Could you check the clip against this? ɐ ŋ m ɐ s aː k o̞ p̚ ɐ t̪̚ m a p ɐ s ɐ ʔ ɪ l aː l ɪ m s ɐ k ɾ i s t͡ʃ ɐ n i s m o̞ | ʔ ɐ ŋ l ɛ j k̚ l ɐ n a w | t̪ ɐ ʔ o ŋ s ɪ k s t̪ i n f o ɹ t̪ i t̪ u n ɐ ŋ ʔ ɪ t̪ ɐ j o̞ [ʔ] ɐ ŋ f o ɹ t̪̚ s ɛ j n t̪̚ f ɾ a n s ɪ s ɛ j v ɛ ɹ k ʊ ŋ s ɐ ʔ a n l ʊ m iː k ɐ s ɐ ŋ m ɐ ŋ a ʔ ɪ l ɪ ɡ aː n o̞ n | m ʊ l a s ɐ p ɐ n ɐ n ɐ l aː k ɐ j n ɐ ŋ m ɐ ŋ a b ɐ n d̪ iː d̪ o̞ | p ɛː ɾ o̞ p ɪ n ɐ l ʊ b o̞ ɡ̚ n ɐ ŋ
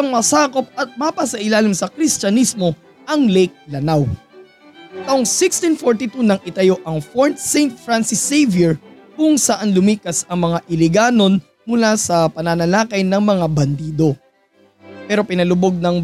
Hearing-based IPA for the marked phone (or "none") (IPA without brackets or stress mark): ʔ